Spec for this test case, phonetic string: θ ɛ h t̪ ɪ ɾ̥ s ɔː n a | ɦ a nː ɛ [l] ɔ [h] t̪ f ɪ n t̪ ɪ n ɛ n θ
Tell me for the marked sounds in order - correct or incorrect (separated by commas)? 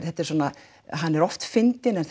incorrect, incorrect